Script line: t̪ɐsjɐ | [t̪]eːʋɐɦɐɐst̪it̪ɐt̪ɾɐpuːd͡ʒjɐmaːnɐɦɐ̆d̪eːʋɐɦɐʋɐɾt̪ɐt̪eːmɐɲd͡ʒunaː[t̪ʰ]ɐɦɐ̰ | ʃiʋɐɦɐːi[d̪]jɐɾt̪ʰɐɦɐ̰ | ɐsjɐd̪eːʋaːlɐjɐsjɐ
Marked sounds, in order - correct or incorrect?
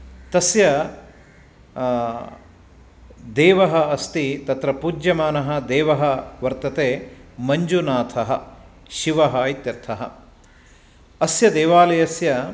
incorrect, correct, incorrect

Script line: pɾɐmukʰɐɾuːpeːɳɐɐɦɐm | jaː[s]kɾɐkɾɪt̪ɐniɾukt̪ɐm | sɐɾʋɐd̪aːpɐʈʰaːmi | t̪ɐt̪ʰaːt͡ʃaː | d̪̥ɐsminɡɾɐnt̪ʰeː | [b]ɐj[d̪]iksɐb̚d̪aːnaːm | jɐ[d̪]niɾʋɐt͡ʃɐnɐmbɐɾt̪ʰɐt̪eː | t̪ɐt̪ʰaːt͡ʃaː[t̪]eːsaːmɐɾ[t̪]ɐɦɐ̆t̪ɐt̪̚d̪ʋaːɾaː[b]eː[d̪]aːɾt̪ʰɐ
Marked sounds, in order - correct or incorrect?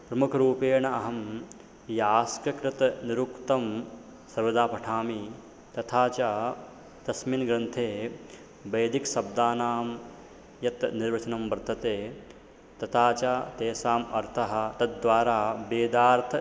correct, correct, correct, incorrect, correct, incorrect, correct, correct

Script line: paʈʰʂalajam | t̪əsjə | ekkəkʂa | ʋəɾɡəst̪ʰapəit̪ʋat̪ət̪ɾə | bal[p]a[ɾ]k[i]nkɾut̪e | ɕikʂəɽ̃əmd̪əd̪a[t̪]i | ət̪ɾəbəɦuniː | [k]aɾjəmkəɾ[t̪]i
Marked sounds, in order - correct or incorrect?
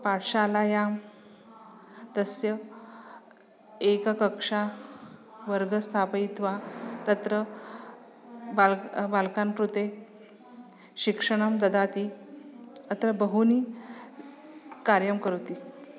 incorrect, incorrect, incorrect, correct, correct, correct

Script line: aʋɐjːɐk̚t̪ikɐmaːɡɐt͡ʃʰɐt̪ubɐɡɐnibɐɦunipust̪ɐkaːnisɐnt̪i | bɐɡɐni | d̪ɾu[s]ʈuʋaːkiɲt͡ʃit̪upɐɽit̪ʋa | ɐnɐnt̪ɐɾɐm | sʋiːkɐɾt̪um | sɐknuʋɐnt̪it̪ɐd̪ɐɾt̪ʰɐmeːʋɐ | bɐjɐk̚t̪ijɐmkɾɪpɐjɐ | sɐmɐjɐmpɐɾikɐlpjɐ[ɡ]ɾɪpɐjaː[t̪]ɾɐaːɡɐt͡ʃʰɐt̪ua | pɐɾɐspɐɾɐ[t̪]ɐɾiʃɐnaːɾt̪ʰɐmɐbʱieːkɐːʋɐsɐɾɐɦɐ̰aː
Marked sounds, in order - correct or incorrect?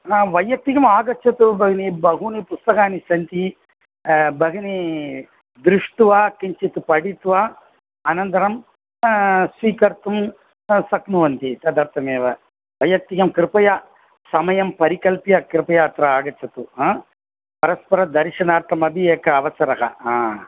incorrect, incorrect, correct, incorrect

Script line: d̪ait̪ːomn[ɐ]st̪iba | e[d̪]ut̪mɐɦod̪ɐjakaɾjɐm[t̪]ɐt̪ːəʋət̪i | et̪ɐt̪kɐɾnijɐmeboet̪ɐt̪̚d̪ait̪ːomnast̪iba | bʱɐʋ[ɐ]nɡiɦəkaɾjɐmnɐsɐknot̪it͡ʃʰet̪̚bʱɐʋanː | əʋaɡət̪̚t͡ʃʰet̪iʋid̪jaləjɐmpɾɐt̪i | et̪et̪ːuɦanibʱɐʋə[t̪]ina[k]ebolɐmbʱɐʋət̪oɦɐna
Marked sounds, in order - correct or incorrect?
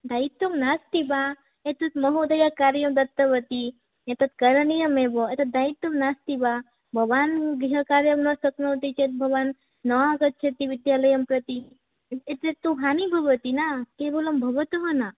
incorrect, incorrect, incorrect, incorrect, correct, correct

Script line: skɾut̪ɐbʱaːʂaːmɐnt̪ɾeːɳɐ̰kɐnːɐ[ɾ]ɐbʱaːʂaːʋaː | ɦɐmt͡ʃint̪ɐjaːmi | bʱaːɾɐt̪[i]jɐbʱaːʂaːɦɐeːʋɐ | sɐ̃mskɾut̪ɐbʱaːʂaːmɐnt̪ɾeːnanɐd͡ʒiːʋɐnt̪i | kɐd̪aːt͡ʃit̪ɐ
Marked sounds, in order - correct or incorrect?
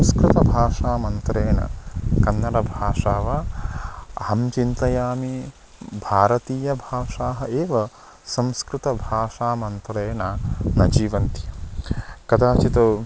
correct, incorrect

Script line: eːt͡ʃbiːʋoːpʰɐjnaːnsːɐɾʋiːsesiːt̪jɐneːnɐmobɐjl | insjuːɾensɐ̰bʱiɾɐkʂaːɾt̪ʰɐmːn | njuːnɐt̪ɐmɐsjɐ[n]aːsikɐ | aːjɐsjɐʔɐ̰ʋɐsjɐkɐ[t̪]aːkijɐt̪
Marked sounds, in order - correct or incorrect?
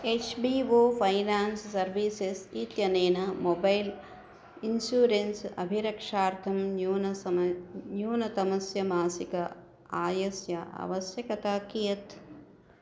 incorrect, correct

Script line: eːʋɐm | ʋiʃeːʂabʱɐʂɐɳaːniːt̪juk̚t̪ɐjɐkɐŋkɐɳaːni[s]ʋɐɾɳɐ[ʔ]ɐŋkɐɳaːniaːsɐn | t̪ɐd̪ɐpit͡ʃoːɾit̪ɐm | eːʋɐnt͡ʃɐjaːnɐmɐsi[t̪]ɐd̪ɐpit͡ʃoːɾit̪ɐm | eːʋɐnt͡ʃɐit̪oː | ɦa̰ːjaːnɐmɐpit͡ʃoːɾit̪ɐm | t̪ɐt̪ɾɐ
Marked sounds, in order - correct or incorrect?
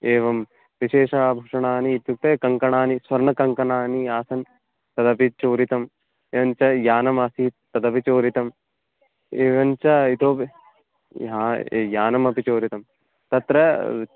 correct, incorrect, correct

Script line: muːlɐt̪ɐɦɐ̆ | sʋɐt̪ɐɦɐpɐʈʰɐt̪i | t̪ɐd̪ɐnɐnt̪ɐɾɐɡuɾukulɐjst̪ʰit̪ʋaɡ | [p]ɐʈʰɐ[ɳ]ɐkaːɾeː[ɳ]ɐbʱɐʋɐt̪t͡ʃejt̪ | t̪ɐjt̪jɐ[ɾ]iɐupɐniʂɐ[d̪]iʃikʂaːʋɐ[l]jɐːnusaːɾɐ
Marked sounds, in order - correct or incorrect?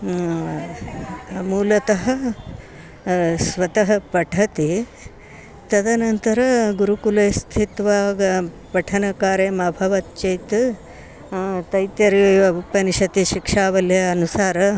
correct, incorrect, incorrect, correct, incorrect, correct

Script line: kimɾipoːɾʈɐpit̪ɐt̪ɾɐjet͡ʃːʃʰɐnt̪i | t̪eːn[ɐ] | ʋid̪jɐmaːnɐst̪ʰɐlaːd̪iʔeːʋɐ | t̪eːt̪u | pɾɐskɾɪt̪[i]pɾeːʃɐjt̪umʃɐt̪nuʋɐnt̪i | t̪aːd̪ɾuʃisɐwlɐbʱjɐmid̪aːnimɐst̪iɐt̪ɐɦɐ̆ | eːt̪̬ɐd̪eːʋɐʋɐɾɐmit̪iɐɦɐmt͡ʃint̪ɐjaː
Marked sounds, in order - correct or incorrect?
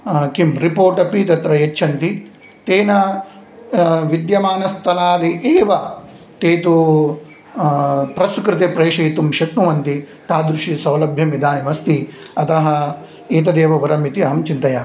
correct, incorrect

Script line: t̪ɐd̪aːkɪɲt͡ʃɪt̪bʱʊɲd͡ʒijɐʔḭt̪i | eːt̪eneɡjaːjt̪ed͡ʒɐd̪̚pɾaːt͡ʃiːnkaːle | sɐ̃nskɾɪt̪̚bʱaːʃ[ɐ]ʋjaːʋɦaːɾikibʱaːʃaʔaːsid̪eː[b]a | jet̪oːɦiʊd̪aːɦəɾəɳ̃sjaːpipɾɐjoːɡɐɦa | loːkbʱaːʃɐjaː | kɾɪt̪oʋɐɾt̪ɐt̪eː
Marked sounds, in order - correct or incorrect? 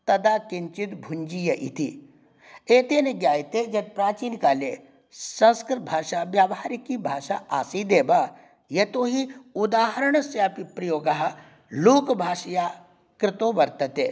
incorrect, correct

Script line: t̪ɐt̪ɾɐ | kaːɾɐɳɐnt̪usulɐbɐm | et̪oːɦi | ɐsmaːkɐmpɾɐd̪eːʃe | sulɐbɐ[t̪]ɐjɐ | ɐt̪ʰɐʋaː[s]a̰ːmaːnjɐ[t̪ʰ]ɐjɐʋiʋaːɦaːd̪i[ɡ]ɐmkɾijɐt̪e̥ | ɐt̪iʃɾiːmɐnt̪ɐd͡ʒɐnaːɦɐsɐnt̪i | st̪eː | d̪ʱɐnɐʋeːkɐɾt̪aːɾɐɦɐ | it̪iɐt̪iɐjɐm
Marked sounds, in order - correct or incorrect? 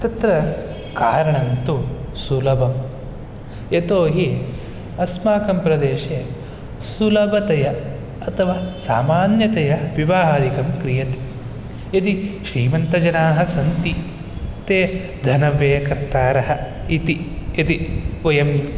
correct, correct, incorrect, incorrect

